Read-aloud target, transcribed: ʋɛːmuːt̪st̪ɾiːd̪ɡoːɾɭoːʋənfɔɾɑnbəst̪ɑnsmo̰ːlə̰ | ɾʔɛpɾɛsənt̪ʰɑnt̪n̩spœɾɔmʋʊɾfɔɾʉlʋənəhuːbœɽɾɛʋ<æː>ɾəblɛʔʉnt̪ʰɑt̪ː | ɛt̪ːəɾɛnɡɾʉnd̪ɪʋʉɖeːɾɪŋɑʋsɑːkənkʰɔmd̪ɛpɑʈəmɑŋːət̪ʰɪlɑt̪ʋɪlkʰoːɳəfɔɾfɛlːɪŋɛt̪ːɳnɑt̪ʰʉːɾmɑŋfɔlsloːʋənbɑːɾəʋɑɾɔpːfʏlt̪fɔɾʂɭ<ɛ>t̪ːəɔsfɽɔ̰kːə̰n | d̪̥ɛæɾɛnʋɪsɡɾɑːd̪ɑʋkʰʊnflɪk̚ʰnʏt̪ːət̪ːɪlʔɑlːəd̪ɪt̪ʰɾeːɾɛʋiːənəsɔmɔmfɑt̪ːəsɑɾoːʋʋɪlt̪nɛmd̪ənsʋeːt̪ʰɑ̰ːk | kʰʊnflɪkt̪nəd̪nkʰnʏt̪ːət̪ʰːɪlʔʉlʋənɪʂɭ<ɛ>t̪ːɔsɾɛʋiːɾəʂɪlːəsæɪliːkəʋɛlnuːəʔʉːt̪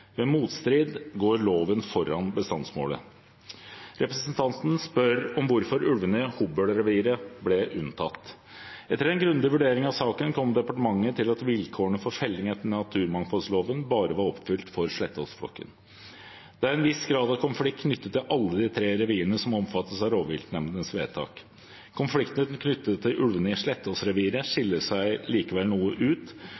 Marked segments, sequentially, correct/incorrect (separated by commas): incorrect, correct, correct